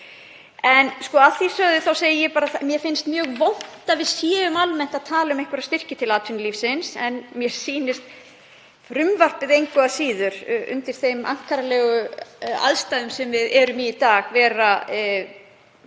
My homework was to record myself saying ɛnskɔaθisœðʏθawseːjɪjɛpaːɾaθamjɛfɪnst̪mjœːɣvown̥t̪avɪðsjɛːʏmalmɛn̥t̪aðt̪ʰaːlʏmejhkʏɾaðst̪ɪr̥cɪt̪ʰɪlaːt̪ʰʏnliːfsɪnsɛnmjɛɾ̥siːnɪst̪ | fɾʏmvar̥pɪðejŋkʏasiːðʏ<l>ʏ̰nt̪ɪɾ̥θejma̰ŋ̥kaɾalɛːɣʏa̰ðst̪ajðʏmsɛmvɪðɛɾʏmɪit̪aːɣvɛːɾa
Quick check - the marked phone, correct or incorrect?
incorrect: ɾ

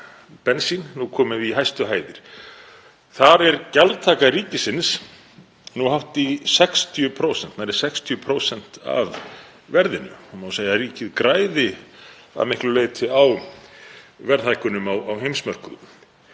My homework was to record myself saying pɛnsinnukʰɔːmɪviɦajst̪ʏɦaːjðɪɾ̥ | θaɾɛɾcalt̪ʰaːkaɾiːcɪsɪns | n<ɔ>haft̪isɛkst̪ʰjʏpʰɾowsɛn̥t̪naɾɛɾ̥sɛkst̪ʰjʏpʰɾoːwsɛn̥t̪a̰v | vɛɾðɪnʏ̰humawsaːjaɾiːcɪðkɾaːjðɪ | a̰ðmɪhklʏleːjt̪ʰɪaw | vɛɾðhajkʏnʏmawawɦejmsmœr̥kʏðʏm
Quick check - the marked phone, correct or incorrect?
incorrect: u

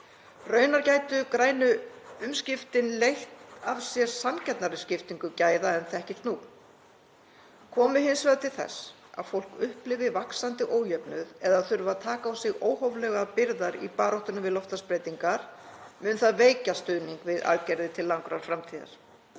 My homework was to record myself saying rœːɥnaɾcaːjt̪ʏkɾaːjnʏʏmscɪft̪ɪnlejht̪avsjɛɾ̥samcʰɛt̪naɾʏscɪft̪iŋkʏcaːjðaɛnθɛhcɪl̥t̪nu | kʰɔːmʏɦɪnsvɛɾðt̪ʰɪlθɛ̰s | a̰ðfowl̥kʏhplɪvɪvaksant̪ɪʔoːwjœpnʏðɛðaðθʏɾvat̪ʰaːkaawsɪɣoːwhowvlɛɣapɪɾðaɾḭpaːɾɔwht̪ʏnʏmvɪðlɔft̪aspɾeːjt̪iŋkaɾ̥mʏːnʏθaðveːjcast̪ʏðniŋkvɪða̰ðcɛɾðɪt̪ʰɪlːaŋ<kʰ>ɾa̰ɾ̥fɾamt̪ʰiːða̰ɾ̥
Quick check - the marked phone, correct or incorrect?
incorrect: k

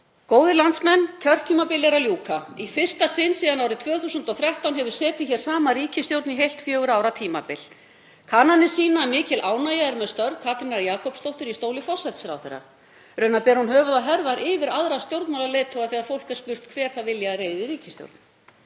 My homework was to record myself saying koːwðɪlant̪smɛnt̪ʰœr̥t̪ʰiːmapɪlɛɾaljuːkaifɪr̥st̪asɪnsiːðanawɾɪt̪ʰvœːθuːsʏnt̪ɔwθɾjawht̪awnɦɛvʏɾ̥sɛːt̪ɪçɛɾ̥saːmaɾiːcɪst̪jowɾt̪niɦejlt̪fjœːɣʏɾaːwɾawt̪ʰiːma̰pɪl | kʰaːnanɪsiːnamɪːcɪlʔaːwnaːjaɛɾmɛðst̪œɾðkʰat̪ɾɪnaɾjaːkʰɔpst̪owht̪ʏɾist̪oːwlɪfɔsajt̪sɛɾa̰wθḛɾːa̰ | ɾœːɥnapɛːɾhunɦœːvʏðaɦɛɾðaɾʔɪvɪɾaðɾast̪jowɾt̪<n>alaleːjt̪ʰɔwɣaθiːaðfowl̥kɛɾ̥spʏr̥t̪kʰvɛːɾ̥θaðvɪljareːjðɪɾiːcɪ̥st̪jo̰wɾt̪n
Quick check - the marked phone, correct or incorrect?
incorrect: m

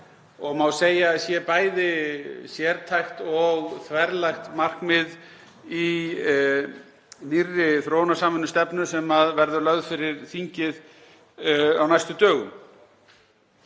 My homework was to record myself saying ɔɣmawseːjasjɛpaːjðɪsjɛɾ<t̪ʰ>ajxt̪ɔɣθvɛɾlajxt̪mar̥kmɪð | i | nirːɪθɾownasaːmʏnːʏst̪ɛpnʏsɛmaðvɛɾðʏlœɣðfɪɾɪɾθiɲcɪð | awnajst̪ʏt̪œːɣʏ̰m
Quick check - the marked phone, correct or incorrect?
correct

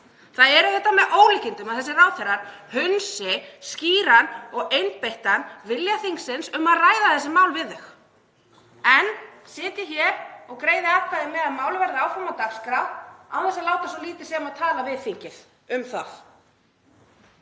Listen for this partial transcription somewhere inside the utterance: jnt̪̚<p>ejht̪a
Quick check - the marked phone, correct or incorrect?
correct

